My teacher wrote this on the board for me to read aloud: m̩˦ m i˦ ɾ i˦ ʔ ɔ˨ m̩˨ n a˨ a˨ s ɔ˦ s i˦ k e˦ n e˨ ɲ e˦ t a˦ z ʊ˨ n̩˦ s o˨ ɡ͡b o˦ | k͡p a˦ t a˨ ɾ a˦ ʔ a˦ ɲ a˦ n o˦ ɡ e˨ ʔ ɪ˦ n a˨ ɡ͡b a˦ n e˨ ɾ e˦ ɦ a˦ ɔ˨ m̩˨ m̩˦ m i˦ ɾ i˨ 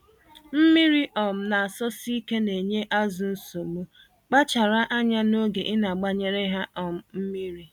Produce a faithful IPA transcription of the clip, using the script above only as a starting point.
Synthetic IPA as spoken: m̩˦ m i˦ ɾ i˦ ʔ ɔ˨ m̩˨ n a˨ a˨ s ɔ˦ s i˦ k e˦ n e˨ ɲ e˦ ʔ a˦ z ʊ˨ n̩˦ s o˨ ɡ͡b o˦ | k͡p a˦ t͡ʃ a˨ ɾ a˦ ʔ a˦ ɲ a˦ n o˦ ɡ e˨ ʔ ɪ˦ n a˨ ɡ͡b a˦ ɲ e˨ ɾ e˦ ɦ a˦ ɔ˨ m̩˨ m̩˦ m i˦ ɾ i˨